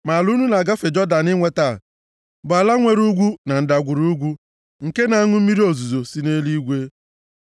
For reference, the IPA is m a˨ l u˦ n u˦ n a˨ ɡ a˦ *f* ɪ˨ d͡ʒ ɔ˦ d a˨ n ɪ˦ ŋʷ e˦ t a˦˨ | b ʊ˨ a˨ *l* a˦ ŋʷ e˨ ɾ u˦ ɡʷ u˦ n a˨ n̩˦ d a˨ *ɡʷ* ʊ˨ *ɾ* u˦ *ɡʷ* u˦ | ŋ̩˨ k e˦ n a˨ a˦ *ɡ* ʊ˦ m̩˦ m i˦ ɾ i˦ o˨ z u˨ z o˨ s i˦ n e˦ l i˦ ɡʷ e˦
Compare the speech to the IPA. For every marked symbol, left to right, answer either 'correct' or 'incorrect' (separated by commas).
correct, correct, correct, correct, correct, incorrect